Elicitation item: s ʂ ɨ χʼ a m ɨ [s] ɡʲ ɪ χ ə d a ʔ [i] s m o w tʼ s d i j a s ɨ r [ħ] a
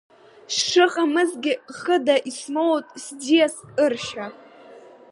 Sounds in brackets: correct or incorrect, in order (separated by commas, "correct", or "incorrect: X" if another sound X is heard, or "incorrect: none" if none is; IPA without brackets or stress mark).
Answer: incorrect: z, correct, incorrect: ʃ